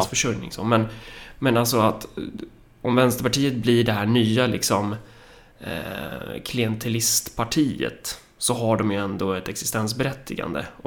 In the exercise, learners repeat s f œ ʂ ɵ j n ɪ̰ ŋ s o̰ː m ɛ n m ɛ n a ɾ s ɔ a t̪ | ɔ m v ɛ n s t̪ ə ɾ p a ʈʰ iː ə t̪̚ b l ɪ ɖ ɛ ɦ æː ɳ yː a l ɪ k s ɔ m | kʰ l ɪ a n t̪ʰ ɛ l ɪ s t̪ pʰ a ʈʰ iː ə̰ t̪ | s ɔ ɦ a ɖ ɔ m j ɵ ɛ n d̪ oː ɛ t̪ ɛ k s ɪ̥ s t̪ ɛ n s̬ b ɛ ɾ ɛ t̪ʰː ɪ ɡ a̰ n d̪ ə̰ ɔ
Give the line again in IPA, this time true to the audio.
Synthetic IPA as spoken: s f œ ʂ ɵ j n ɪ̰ ŋ s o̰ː m ɛ n m ɛ n a l s ɔ a t̪ | ɔ m v ɛ n s t̪ ə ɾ p a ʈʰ iː ə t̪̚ b l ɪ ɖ ɛ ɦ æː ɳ yː a l ɪ k s ɔ m | kʰ l ɪ ɛ n t̪ʰ ɛ l ɪ s t̪ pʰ a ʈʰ iː ə̰ t̪ | s ɔ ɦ a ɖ ɔ m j ɵ ɛ n d̪ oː ɛ t̪ ɛ k s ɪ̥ s t̪ ɛ n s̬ b ɛ ɾ ɛ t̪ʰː ɪ ɡ a̰ n d̪ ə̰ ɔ